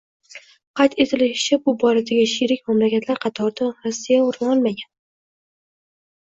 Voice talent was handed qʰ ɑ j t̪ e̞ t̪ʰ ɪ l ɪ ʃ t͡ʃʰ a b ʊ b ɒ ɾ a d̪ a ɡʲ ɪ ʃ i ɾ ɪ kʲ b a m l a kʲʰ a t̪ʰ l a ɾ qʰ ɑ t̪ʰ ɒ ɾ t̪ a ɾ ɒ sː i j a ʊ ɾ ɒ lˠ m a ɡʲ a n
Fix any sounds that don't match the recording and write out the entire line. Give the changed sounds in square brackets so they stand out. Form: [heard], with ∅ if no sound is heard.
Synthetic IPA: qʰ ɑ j t̪ e̞ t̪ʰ ɪ l ɪ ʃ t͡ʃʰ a b ʊ b ɒ ɾ a d̪ a ɡʲ ɪ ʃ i ɾ ɪ kʲ [m] a m l a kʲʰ a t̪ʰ l a ɾ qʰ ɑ t̪ʰ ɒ ɾ [d̪] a ɾ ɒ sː i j a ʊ ɾ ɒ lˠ m a ɡʲ a n